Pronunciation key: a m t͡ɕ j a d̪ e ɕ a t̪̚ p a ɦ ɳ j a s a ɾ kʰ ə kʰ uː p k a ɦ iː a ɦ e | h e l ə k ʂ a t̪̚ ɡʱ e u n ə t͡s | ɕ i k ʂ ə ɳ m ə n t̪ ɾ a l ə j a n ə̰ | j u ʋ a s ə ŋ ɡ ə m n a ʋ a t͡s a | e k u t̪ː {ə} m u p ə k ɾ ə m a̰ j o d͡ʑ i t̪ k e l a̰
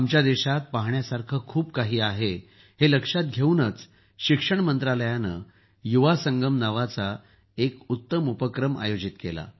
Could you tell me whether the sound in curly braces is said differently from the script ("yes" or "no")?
no